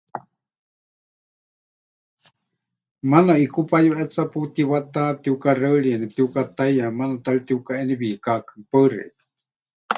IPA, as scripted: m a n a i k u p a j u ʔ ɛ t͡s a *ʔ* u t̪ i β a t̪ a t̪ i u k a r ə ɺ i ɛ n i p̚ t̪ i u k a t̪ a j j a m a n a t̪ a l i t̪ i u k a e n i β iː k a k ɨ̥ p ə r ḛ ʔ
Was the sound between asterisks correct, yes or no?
no